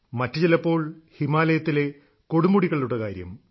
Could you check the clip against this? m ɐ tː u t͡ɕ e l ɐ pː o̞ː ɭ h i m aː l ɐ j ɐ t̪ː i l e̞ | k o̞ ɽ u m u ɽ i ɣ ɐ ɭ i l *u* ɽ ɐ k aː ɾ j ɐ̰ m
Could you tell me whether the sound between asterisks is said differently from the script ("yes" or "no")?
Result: no